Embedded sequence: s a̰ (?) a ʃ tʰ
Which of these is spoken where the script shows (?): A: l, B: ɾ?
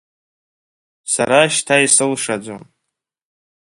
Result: B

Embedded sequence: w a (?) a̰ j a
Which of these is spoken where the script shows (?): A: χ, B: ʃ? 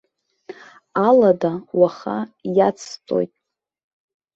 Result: A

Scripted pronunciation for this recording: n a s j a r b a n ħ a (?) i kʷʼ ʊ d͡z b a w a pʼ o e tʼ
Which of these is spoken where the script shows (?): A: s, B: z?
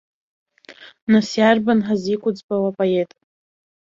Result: B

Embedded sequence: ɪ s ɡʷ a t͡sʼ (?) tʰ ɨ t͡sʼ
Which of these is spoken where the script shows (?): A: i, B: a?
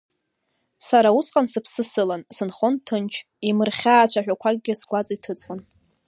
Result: A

